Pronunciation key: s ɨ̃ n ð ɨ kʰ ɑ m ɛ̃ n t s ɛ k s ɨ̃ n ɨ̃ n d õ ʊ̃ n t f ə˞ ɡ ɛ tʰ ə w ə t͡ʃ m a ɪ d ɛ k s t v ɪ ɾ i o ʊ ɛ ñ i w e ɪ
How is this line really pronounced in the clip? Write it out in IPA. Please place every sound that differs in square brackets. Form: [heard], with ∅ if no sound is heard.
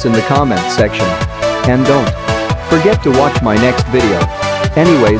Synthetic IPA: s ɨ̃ n ð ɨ kʰ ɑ m ɛ̃ n t s ɛ k [ʃ] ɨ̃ n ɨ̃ n d õ ʊ̃ n t f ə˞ ɡ ɛ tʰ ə w [ɑ] t͡ʃ m a ɪ [n] ɛ k s t v ɪ ɾ i o ʊ ɛ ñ i w e ɪ